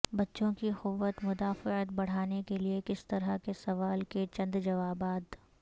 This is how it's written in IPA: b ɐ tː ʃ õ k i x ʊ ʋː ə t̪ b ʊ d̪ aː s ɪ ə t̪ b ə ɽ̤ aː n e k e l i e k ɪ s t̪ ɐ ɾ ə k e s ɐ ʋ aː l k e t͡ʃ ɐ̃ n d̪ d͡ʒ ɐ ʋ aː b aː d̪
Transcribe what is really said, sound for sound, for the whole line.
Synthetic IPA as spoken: b ɐ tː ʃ õ k i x ʊ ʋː ə t̪ m ʊ d̪ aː f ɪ ə t̪ b ɐ ɽ̤ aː n e k e l i e k ɪ s t̪ ɐ ɾ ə k e s ɐ ʋ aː l k e t͡ʃ ɐ̃ n d̪ d͡ʒ ɐ ʋ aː b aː d̪